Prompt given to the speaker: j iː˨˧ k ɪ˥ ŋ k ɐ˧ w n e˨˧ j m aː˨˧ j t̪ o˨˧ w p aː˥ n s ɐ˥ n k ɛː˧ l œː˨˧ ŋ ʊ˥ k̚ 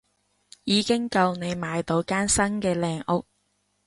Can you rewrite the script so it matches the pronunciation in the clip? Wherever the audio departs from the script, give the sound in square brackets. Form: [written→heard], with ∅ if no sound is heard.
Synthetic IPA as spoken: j iː˨˧ k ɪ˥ ŋ k ɐ˧ w n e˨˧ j m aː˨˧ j t̪ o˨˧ w [p→k] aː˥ n s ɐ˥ n k ɛː˧ l [œː˨˧→ɛː˨˧] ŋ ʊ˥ k̚